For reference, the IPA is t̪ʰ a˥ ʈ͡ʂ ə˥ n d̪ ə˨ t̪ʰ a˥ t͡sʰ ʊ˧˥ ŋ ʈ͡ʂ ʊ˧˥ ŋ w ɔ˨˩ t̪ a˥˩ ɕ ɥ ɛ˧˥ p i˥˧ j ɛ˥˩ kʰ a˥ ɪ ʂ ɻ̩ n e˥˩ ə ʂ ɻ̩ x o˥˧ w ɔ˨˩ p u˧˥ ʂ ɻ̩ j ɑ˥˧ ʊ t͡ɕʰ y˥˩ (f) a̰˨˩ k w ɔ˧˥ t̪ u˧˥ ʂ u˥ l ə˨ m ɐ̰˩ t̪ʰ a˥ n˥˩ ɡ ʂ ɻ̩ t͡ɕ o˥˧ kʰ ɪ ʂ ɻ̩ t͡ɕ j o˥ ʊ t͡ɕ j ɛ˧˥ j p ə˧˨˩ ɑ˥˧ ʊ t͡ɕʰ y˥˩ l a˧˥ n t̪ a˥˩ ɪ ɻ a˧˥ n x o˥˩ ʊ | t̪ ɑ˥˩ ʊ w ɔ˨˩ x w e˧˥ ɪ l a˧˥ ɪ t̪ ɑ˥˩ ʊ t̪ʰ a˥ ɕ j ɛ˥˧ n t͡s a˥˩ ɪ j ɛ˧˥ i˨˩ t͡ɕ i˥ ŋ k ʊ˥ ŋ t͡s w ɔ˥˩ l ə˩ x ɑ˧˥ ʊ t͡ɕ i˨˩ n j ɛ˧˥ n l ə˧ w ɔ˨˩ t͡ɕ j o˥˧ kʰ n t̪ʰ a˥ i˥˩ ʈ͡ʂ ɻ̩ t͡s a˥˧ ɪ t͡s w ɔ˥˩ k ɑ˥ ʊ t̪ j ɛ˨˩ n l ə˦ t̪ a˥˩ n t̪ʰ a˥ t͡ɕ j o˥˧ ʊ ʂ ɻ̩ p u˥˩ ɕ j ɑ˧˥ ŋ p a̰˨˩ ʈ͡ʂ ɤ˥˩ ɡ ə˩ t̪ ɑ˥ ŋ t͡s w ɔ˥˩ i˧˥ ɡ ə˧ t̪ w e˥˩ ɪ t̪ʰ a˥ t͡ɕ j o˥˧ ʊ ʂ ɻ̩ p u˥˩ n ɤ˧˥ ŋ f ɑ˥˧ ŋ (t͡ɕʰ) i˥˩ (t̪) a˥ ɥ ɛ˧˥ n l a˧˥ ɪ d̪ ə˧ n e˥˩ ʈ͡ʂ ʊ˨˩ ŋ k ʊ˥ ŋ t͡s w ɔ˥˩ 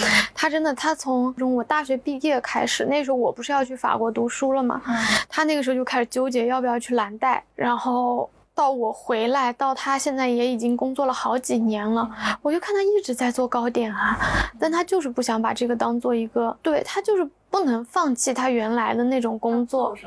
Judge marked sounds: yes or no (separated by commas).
yes, yes, no